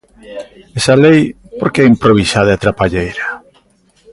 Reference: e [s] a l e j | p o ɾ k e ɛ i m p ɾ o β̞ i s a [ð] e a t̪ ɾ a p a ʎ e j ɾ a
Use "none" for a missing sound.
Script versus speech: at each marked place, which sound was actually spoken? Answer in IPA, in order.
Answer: s, ð

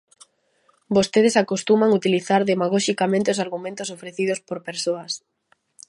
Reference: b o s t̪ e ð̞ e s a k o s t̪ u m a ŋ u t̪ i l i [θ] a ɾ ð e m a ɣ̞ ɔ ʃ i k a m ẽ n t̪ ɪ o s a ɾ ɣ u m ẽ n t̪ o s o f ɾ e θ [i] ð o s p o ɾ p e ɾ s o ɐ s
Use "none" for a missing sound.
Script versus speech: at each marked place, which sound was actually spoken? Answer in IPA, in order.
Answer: θ, i

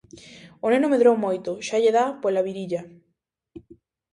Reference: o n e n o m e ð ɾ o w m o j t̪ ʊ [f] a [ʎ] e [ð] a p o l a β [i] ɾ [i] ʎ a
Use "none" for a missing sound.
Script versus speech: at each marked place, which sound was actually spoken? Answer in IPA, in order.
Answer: ʃ, ʎ, ð, i, i

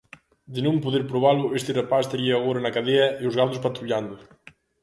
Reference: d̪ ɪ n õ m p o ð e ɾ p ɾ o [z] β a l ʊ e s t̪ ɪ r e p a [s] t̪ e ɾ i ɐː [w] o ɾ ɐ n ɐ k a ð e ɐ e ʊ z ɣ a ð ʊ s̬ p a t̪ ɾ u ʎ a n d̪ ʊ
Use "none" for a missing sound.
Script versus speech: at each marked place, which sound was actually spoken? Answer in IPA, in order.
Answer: none, s, ɣ

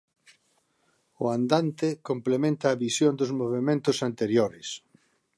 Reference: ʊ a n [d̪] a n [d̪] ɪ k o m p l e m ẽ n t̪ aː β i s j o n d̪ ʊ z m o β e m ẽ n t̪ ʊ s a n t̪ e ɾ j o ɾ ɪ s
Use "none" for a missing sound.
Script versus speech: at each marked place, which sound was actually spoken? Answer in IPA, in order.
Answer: d̪, t̪

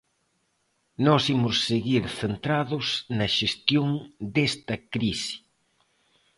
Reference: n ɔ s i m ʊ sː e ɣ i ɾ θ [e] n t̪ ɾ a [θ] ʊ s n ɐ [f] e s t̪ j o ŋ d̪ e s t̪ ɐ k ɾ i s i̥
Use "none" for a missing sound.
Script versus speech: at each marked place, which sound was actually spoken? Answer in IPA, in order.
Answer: e, ð, ʃ

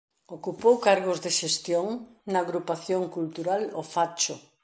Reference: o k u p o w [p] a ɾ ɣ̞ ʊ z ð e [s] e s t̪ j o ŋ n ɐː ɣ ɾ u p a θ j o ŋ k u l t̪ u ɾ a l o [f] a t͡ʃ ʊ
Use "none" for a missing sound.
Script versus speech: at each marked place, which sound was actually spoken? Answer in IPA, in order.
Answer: k, ʃ, f

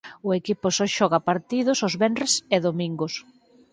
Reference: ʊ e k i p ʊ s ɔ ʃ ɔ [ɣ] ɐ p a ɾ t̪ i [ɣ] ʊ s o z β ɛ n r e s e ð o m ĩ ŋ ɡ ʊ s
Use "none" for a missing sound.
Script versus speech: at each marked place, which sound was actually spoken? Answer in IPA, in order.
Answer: ɣ, ð

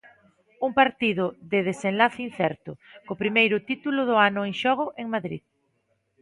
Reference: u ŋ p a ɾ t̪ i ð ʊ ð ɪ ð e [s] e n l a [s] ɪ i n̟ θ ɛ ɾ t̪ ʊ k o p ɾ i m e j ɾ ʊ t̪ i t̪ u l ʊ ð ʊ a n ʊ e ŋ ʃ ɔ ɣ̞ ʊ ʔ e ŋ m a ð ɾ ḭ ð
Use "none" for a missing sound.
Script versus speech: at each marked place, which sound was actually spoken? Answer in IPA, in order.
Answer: s, θ

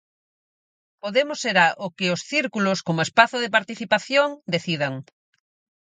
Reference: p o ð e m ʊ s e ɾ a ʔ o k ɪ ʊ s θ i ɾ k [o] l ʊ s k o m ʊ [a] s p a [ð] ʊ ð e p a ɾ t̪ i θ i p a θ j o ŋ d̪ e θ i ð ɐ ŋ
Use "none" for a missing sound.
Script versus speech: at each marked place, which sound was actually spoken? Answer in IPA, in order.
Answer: u, e, θ

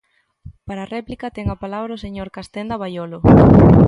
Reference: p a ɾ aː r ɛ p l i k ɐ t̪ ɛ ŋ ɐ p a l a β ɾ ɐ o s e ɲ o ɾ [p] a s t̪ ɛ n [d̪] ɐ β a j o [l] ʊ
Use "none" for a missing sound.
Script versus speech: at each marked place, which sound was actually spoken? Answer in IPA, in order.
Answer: k, d̪, l

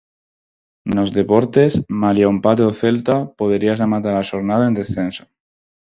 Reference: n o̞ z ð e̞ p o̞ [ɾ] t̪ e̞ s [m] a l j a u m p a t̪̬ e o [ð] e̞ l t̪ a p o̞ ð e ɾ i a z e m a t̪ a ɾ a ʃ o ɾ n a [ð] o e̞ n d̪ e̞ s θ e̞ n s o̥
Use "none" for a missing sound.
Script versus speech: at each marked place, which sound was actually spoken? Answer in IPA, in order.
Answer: ɾ, m, θ, ð

